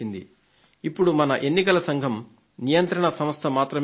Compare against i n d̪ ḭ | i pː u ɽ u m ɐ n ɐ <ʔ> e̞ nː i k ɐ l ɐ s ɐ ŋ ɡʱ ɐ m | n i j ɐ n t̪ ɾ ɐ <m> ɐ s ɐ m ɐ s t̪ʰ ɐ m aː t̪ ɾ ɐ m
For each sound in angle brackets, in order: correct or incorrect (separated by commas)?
correct, incorrect